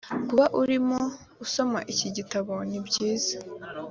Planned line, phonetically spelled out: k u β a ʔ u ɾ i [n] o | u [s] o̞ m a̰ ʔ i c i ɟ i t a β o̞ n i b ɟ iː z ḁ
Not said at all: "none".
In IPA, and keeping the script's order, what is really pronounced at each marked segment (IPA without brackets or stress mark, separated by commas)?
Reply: m, s